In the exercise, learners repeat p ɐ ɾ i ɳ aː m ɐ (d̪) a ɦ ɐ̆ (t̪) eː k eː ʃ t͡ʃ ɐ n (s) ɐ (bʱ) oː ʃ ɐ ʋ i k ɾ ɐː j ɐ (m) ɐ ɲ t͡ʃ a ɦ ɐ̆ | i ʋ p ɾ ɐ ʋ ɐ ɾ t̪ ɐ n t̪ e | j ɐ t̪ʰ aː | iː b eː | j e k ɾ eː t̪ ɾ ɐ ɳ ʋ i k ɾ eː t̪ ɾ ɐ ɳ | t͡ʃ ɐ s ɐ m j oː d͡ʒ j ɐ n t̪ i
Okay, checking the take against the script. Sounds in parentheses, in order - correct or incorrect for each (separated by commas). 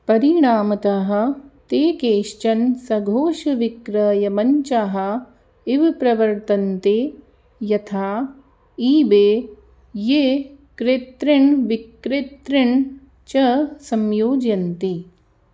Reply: incorrect, correct, correct, incorrect, correct